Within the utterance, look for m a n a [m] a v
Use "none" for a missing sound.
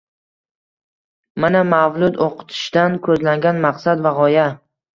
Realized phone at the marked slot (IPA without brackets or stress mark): m